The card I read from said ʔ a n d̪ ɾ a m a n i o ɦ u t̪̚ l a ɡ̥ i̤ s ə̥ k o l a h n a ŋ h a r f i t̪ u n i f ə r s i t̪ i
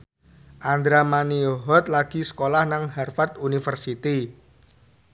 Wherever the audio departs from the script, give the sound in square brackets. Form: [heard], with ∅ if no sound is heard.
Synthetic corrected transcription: ʔ a n d̪ ɾ a m a n i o ɦ [ɔ] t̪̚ l a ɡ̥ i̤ s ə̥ k o l a h n a ŋ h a r f [a] t̪ u n i f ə r s i t̪ i

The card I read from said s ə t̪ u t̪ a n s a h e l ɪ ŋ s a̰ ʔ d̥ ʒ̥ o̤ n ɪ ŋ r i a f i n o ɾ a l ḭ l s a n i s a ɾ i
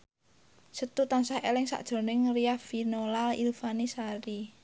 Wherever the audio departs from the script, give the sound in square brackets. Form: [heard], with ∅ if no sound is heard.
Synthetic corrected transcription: s ə t̪ u t̪ a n s a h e l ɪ ŋ s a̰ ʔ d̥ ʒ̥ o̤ n ɪ ŋ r i a f i n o [l] a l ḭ l [f] a n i s a ɾ i

